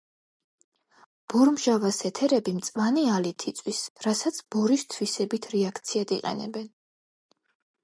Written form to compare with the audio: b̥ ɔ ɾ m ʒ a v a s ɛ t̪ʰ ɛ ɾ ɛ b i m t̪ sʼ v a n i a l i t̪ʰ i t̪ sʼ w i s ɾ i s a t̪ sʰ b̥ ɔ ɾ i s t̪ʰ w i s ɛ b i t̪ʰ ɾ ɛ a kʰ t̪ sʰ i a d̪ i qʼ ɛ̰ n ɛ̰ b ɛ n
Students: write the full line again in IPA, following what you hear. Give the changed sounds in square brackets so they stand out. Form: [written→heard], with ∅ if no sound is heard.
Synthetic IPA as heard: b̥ ɔ ɾ m ʒ a v a s ɛ t̪ʰ ɛ ɾ ɛ b i m t̪ sʼ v a n i a l i t̪ʰ i t̪ sʼ w i s ɾ [i→a] s a t̪ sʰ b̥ ɔ ɾ i s t̪ʰ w i s ɛ b i t̪ʰ ɾ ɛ a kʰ t̪ sʰ i a d̪ i qʼ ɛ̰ n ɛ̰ b ɛ n